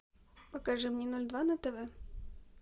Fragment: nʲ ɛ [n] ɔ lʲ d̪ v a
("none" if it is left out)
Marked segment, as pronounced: n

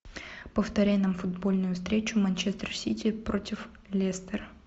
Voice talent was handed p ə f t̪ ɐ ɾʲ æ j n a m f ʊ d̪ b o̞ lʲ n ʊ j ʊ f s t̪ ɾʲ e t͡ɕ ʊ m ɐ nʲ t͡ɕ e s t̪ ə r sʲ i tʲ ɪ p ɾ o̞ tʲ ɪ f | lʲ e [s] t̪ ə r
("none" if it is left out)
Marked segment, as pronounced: s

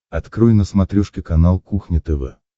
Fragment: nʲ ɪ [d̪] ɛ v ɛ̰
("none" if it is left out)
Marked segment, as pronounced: t̪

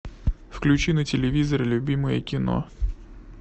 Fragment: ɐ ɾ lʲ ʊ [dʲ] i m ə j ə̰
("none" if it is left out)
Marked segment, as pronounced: bʲ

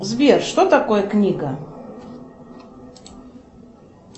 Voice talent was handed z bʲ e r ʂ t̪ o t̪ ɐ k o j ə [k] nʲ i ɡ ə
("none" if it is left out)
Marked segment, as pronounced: k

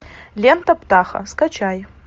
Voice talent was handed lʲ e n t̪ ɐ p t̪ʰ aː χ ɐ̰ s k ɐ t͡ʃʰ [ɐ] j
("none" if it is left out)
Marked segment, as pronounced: a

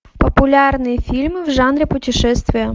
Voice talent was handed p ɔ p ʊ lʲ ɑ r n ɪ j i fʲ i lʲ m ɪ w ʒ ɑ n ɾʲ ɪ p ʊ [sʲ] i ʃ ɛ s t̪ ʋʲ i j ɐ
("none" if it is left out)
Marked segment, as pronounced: tʲ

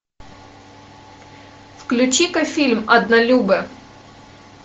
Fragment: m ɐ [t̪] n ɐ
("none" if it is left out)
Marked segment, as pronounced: d̪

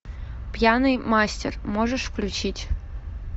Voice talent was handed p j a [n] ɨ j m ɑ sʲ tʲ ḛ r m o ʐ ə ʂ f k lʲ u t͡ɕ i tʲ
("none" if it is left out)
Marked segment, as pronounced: n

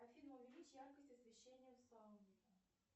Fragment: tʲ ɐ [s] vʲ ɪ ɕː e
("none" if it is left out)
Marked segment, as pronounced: s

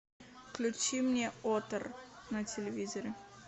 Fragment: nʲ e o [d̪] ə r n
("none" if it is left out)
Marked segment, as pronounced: t̪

